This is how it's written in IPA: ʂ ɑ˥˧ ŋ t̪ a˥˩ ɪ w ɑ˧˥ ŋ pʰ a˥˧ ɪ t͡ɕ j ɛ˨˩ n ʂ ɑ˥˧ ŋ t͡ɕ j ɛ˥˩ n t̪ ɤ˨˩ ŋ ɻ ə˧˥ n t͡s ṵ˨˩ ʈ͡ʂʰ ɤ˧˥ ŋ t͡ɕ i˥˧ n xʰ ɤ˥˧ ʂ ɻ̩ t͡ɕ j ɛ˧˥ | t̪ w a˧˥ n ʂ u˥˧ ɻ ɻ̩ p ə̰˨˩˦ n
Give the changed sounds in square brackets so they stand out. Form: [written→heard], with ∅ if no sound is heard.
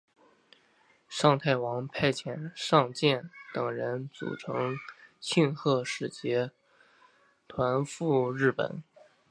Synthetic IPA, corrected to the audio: ʂ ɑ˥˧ ŋ [t̪→t̪ʰ] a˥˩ ɪ w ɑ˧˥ ŋ pʰ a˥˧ ɪ [t͡ɕ→t͡ɕʰ] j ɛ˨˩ n ʂ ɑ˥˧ ŋ t͡ɕ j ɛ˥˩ n t̪ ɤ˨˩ ŋ ɻ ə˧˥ n t͡s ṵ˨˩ ʈ͡ʂʰ ɤ˧˥ ŋ [t͡ɕ→t͡ɕʰ] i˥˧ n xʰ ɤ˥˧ ʂ ɻ̩ t͡ɕ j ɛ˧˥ | [t̪→t̪ʰ] w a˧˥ n [ʂ→f] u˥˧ ɻ ɻ̩ p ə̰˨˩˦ n